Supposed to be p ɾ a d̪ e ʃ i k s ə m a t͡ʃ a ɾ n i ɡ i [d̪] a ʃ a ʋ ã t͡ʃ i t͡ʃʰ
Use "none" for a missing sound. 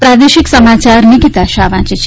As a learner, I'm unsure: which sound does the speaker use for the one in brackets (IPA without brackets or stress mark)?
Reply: t̪